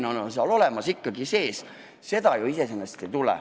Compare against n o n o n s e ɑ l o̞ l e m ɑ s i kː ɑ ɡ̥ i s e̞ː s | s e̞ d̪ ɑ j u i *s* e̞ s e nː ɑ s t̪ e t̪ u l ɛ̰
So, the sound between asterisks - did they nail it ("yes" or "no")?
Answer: yes